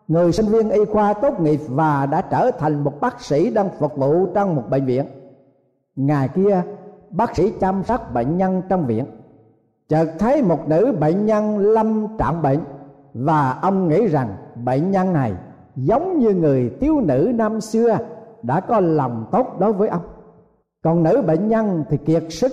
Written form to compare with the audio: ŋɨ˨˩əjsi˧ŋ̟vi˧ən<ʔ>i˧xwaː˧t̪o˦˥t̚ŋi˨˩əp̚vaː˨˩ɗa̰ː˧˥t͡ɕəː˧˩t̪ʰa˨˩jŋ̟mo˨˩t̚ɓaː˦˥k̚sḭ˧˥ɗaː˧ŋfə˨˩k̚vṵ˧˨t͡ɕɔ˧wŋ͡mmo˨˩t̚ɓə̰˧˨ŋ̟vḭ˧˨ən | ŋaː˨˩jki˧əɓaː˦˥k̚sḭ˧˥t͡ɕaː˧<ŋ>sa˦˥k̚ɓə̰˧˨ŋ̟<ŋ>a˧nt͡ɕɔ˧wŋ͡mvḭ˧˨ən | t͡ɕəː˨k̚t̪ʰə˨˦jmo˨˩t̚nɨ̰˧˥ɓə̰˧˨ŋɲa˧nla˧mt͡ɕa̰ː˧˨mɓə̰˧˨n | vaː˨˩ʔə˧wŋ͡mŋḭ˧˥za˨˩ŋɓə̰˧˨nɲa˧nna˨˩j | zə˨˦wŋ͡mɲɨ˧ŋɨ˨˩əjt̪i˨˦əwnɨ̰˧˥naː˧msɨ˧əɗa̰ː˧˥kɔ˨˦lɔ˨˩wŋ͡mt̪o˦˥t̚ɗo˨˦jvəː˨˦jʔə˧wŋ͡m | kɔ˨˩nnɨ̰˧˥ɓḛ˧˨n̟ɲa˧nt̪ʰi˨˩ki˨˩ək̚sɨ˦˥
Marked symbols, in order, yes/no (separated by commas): yes, no, no